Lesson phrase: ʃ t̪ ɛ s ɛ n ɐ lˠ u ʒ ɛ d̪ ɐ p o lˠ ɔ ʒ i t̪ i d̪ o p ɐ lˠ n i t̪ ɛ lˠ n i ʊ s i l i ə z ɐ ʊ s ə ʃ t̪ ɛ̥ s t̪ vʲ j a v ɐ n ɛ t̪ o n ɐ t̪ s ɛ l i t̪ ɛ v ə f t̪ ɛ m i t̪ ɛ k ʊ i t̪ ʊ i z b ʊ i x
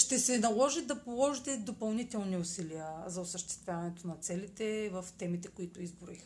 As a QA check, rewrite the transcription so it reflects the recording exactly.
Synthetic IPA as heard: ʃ t̪ ɛ s ɛ n ɐ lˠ ɔ ʒ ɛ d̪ ɐ p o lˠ ɔ ʒ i t̪ ɛ d̪ o p ɐ lˠ n i t̪ ɛ lˠ n i ʊ s i l i ə z ɐ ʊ s ə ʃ t̪ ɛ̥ s t̪ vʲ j a v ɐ n ɛ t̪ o n ɐ t̪ s ɛ l i t̪ ɛ v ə f t̪ ɛ m i t̪ ɛ k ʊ i t̪ ʊ i z b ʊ i x